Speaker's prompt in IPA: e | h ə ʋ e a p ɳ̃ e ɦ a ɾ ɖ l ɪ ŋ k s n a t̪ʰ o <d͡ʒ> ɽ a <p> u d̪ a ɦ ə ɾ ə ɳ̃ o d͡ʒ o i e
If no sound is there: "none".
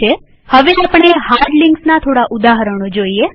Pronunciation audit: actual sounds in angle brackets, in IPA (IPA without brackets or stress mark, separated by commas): none, ʔ